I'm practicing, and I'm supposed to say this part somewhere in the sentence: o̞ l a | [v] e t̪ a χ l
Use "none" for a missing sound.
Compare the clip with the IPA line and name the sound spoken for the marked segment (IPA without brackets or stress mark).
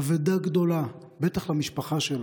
b